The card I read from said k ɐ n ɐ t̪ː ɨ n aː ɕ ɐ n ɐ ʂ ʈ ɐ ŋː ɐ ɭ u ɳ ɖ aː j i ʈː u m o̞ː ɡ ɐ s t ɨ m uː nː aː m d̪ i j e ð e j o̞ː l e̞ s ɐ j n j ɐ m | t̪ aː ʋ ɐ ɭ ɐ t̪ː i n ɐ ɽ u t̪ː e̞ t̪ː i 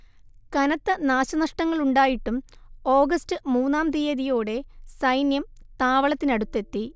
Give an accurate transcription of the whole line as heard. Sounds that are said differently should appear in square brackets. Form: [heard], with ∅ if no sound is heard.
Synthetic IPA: k ɐ n ɐ t̪ː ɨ n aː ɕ ɐ n ɐ ʂ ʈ ɐ ŋː ɐ ɭ u ɳ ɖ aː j i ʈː u m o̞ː ɡ ɐ s t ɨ m uː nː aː m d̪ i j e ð [i] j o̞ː [ɽ] e̞ s ɐ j n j ɐ m | t̪ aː ʋ ɐ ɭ ɐ t̪ː i n ɐ ɽ u t̪ː e̞ t̪ː i